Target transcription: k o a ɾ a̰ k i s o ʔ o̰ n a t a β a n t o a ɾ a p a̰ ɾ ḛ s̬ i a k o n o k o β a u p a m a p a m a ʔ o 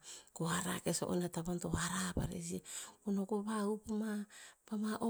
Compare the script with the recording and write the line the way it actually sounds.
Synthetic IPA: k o a ɾ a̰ k e s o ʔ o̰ n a t a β a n t o a ɾ a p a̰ ɾ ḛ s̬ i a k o n o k o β a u p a m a p a m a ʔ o

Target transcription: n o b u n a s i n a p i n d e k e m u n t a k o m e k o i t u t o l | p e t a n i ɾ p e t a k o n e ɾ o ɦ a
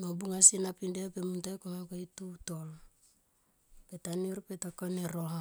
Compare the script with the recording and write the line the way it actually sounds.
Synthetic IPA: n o b u ŋ a s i n a p i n d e p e m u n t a k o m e k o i t u t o l | p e t a n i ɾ p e t a k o n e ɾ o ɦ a

